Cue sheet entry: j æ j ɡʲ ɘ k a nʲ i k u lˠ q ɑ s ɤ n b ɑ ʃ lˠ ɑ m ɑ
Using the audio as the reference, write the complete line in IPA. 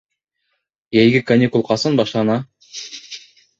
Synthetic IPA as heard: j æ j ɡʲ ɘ k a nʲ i k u lˠ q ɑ s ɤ n b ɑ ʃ lˠ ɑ n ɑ